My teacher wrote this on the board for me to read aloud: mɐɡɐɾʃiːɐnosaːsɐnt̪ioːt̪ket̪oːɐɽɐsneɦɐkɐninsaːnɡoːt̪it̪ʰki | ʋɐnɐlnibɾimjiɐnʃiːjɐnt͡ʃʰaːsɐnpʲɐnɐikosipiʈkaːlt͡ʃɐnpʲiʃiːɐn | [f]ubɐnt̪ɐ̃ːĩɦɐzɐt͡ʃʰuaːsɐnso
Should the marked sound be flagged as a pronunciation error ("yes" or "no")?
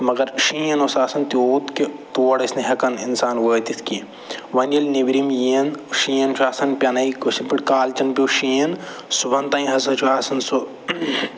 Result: yes